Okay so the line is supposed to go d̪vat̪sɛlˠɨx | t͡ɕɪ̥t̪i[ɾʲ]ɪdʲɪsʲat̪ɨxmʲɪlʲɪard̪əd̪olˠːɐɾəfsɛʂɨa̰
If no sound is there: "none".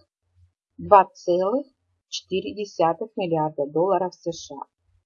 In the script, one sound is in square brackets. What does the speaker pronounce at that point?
ɾʲ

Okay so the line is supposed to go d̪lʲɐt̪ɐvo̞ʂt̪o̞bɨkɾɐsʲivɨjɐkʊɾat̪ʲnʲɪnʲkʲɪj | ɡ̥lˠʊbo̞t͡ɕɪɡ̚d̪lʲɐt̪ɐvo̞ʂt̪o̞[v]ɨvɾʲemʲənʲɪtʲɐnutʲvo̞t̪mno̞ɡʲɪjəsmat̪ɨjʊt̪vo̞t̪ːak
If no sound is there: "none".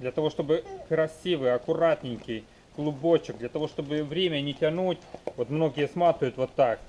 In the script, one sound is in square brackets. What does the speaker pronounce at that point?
b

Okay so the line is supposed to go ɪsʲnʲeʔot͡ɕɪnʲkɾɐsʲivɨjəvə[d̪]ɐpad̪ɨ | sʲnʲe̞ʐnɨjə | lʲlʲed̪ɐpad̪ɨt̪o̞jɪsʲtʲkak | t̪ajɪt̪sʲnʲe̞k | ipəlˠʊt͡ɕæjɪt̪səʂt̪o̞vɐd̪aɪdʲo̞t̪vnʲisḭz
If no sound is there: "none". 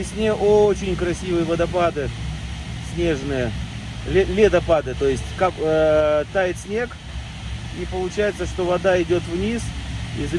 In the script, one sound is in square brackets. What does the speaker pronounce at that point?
d̪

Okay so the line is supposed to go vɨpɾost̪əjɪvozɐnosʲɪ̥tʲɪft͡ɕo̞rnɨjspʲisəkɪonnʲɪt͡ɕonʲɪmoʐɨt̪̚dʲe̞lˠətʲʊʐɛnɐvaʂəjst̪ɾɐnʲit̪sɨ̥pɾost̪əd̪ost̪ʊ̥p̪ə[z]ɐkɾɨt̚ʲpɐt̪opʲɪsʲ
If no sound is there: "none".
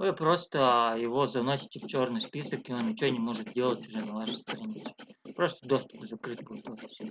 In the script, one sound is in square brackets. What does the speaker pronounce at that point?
z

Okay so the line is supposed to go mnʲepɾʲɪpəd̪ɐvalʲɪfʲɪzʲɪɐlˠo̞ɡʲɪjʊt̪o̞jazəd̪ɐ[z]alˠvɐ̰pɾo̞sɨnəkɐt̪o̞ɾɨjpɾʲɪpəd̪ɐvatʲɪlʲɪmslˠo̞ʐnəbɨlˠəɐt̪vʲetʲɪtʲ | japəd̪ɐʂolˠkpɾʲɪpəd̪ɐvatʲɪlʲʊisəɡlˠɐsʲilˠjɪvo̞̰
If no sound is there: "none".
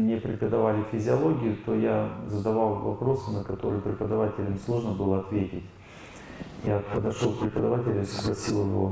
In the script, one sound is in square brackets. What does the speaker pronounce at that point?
v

